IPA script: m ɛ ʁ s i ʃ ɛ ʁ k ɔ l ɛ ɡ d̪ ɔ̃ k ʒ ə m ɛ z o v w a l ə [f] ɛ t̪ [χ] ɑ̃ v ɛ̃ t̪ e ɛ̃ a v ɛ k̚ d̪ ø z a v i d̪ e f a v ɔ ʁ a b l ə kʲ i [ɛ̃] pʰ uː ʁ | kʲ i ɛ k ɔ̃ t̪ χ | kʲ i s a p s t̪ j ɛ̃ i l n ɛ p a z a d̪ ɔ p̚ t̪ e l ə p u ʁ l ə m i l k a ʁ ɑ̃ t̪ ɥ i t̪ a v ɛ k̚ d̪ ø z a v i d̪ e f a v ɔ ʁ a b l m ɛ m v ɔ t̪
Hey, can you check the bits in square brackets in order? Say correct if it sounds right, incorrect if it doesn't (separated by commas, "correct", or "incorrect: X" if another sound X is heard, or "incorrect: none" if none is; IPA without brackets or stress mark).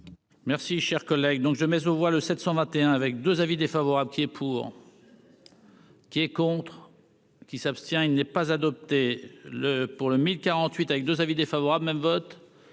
incorrect: s, incorrect: s, incorrect: ɛ